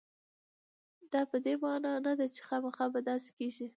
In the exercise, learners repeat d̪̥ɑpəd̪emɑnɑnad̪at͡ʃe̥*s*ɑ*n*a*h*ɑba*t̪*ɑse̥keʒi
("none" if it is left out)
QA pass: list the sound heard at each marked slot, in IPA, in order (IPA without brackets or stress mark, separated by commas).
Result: x, m, x, d̪